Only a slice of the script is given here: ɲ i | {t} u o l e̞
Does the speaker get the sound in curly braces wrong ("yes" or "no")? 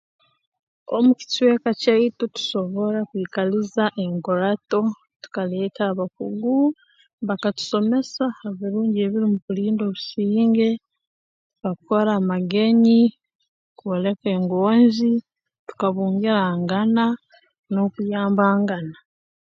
yes